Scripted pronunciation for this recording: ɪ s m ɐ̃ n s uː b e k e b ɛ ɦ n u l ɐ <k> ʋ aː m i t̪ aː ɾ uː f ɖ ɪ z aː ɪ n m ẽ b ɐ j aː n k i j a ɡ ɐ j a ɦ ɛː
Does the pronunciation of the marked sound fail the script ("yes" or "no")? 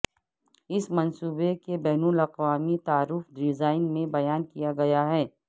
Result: yes